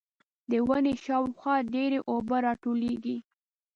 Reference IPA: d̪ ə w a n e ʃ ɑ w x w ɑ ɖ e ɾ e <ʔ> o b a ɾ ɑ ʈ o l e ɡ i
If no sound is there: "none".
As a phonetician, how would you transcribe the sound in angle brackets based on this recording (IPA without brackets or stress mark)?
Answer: ʔ